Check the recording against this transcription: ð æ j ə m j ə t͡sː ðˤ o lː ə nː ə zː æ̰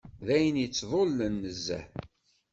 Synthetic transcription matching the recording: ð æ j ə n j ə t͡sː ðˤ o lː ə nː ə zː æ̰